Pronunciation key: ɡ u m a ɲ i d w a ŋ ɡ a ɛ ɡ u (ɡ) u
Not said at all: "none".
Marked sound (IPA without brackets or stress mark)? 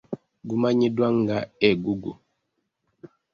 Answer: ɡ